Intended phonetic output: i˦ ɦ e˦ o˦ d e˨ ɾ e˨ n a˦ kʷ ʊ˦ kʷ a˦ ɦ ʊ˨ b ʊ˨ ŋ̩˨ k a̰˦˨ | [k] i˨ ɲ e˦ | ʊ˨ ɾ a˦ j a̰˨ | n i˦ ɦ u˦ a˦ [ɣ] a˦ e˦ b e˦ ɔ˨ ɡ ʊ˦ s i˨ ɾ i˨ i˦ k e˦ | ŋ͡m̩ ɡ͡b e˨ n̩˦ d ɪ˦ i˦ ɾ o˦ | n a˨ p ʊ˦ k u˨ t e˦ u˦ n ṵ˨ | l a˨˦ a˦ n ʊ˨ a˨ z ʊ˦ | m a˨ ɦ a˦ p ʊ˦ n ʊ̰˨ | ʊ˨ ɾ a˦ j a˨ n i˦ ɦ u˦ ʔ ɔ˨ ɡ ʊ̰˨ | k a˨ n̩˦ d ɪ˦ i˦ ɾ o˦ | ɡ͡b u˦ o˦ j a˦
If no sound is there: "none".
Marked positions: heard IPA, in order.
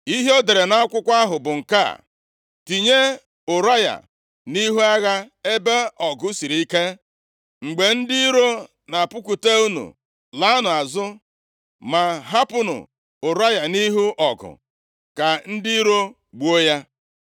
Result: t, ɣ

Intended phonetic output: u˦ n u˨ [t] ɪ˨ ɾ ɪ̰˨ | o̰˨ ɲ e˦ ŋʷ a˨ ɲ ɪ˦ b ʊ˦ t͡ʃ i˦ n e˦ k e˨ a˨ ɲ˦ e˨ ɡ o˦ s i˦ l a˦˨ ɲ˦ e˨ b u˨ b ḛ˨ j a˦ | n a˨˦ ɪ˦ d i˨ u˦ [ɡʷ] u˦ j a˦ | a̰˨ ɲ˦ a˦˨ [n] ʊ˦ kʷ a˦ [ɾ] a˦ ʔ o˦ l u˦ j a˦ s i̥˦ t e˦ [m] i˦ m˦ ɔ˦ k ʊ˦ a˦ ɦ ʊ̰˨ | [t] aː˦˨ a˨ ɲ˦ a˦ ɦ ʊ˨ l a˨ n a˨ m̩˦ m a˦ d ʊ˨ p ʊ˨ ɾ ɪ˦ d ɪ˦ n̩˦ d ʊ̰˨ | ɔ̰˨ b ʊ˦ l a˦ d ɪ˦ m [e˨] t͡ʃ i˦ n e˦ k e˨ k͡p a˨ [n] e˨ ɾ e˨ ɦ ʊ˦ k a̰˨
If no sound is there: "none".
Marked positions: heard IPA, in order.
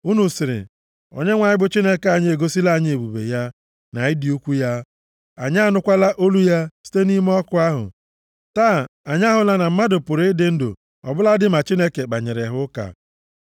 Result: s, kʷ, n, l, n, t, a˨, ɲ

